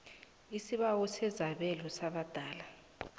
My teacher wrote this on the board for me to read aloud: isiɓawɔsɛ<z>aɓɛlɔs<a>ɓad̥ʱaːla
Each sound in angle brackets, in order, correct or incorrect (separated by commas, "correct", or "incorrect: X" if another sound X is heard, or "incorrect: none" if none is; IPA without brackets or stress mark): correct, correct